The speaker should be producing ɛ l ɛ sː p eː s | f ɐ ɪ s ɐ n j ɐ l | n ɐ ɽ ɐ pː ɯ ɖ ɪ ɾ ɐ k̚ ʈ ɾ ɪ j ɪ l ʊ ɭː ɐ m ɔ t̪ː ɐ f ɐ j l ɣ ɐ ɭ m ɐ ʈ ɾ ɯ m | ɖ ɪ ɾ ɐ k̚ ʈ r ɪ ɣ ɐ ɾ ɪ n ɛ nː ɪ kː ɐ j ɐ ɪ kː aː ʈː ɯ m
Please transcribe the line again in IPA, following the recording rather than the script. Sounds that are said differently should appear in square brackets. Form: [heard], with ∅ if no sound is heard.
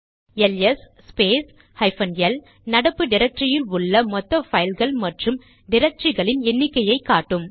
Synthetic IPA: ɛ l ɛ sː p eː s | [h] ɐ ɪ [f] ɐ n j ɐ l | n ɐ ɽ ɐ pː ɯ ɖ ɪ ɾ ɐ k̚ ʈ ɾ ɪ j ɪ l ʊ ɭː ɐ m ɔ t̪ː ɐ f ɐ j l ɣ ɐ ɭ m ɐ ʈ [r] ɯ m | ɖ ɪ ɾ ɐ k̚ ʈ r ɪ ɣ ɐ [ɭ] ɪ n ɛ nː ɪ kː ɐ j ɐ ɪ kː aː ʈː ɯ m